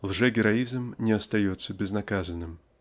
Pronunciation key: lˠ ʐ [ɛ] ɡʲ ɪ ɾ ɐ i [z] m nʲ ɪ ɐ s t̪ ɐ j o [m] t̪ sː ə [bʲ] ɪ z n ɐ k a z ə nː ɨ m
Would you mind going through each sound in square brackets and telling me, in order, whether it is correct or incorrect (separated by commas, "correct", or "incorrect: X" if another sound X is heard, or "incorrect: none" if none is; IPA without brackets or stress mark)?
correct, correct, incorrect: none, correct